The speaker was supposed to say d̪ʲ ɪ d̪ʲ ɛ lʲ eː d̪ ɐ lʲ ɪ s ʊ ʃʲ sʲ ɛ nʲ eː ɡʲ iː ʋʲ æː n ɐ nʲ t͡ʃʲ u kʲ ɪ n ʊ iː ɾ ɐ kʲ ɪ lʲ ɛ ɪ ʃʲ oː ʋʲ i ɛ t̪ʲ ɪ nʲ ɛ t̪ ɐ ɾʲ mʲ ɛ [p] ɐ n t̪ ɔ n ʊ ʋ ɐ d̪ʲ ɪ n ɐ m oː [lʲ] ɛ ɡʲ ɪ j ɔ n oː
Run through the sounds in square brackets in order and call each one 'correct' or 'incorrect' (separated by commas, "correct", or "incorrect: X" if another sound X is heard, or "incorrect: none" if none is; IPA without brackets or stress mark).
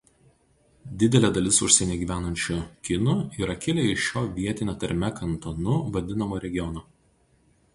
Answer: incorrect: k, incorrect: ɾʲ